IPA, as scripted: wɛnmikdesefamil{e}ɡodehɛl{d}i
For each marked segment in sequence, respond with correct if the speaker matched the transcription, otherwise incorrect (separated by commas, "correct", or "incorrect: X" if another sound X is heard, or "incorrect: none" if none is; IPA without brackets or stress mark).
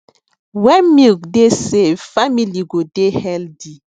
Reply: incorrect: i, correct